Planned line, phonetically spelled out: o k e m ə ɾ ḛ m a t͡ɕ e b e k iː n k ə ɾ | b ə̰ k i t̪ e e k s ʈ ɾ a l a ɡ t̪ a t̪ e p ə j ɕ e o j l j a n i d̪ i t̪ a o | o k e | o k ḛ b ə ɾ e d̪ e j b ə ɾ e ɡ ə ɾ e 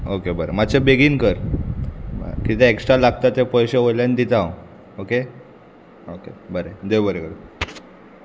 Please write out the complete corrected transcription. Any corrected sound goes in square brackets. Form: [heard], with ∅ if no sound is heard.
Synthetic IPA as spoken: o k e [b] ə ɾ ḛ m a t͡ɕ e b e [ɡ] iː n k ə ɾ | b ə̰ k i t̪ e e k s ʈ ɾ a l a ɡ t̪ a t̪ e p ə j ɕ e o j l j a n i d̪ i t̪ a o | o k e | o k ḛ b ə ɾ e d̪ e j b ə ɾ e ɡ ə ɾ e